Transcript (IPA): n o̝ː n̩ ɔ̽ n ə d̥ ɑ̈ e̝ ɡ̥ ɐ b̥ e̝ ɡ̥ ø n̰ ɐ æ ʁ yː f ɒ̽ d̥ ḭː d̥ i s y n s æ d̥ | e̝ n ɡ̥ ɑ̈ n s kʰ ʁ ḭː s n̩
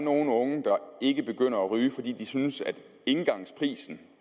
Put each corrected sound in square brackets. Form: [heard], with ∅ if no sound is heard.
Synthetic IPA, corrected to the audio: n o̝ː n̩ ɔ̽ [ŋ] ə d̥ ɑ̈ e̝ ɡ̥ [ə] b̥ e̝ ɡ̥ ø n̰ ɐ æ ʁ yː f ɒ̽ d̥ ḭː d̥ i s y n s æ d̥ | e̝ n ɡ̥ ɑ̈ [ŋ] s [pʰ] ʁ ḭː s n̩